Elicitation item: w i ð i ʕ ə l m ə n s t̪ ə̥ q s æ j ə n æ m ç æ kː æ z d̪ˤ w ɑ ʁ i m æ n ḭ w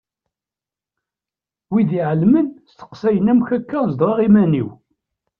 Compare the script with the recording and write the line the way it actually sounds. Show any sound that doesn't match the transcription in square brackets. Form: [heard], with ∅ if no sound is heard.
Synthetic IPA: w i ð i ʕ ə l m ə n s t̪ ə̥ q s æ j ə n æ m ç æ kː æ z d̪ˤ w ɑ ʁ i m æ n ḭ w